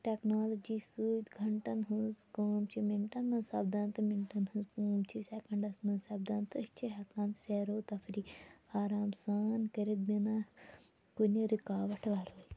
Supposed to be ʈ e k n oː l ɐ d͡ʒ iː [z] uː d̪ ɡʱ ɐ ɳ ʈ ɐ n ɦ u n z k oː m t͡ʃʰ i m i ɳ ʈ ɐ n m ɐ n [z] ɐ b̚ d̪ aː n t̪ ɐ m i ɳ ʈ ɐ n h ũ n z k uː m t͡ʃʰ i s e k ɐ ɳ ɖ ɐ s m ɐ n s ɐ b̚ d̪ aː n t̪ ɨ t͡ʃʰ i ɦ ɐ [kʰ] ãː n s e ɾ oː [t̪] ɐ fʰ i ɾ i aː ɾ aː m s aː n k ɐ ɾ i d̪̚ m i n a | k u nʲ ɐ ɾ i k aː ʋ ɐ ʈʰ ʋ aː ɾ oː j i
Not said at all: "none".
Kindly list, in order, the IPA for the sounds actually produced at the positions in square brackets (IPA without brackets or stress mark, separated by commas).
s, s, k, t̪